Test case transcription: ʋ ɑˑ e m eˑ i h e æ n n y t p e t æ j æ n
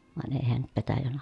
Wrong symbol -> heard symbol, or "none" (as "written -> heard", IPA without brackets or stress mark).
m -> n